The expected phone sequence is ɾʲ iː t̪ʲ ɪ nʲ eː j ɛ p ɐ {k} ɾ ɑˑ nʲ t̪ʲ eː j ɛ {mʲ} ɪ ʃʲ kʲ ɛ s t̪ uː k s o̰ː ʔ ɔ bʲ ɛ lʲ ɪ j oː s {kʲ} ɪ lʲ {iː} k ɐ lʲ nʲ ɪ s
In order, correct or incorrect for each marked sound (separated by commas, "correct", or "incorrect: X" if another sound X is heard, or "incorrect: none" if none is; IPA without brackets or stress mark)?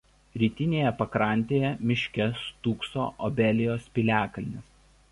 correct, correct, incorrect: pʲ, incorrect: æː